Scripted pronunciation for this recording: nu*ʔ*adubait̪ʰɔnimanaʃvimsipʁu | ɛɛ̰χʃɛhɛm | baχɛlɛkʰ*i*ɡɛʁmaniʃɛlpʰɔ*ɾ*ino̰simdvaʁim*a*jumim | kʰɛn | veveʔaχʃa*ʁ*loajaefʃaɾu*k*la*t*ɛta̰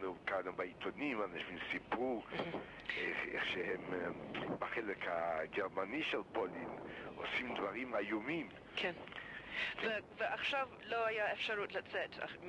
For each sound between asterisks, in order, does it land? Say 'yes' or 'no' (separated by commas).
no, no, no, yes, no, no, no